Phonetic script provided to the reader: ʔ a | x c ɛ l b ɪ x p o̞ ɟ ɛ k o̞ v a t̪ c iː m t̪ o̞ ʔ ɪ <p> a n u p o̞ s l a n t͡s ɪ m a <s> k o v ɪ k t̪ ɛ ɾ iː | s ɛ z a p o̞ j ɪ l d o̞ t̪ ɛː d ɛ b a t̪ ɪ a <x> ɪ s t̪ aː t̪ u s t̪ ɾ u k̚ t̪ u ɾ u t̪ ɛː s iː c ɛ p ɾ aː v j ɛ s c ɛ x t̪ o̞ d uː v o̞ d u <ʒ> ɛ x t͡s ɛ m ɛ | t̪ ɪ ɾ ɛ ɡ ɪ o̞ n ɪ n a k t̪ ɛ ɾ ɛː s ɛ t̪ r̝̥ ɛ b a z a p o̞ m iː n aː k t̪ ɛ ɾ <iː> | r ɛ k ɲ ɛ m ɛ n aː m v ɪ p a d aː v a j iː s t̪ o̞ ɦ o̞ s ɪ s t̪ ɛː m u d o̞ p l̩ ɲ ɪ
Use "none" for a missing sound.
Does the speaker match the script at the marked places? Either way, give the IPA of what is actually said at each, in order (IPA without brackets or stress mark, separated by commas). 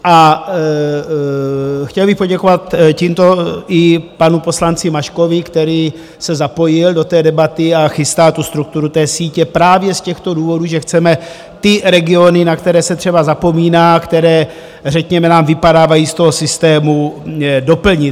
p, ʃ, x, ʒ, ɛː